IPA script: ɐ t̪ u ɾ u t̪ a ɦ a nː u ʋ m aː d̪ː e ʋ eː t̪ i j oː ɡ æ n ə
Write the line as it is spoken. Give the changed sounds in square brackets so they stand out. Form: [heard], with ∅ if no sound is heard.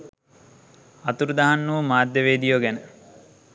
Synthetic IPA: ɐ t̪ u ɾ u [d̪] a ɦ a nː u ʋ m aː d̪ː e ʋ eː [d̪] i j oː ɡ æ n ə